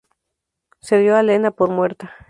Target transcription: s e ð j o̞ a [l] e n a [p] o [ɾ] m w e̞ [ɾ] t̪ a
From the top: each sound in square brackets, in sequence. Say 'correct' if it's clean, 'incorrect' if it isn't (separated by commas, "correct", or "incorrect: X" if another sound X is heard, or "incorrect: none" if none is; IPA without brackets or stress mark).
correct, correct, correct, correct